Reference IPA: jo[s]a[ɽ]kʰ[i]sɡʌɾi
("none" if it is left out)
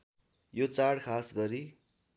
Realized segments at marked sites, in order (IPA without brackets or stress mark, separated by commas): t͡s, ɽ, a